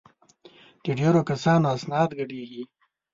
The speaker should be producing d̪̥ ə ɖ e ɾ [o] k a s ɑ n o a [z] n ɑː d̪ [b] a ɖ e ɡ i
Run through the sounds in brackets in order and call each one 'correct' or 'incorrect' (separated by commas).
correct, incorrect, incorrect